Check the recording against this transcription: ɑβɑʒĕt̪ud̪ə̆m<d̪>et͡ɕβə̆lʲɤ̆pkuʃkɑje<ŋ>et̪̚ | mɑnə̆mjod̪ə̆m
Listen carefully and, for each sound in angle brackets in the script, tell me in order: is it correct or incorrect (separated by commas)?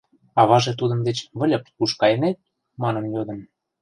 correct, incorrect